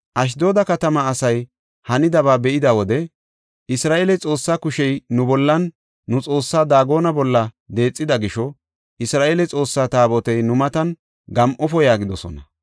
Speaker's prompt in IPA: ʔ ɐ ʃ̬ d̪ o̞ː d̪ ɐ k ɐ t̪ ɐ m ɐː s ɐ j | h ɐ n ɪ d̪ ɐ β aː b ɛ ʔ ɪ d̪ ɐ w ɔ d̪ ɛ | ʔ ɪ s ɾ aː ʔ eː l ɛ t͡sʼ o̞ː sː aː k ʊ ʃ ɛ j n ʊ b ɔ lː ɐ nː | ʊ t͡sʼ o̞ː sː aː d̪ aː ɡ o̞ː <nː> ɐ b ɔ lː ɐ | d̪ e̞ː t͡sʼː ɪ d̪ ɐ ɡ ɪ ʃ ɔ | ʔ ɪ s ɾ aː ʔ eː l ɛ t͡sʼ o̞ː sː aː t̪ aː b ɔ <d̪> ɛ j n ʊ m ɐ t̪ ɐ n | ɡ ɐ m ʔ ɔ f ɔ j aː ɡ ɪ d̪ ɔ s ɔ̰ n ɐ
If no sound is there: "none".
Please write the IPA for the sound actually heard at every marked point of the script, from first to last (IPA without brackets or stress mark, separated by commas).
n, t̪